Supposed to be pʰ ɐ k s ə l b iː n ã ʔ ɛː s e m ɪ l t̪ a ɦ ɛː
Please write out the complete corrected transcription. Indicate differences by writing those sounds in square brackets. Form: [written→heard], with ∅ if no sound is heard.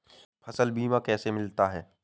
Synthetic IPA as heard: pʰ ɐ [k→∅] s ə l b iː [n→m] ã [ʔ→k] ɛː s e m ɪ l t̪ a ɦ ɛː